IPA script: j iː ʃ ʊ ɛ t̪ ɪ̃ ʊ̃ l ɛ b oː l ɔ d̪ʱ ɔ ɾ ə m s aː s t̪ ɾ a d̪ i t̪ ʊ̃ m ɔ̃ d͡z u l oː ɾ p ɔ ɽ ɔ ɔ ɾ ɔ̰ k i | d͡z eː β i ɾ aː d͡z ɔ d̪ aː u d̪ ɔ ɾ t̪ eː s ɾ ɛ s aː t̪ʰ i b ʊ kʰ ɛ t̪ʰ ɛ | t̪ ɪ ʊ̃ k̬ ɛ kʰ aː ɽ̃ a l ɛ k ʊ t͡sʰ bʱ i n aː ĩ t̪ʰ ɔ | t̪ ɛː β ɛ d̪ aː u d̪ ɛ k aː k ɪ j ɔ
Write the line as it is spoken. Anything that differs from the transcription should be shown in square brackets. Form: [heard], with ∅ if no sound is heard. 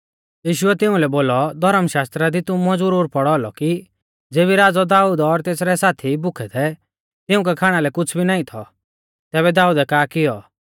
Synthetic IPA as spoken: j iː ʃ ʊ ɛ t̪ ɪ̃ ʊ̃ l ɛ b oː l ɔ d̪ʱ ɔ ɾ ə m [ʃ] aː s t̪ ɾ a d̪ i t̪ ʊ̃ m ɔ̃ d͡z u [ɾ] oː ɾ p ɔ ɽ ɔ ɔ [l] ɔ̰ k i | d͡z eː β i ɾ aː d͡z ɔ d̪ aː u d̪ ɔ ɾ t̪ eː s ɾ ɛ s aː t̪ʰ i b ʊ kʰ ɛ t̪ʰ ɛ | t̪ ɪ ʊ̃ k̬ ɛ kʰ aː ɽ̃ a l ɛ k ʊ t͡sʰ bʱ i n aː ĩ t̪ʰ ɔ | t̪ ɛː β ɛ d̪ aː u d̪ ɛ k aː k ɪ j ɔ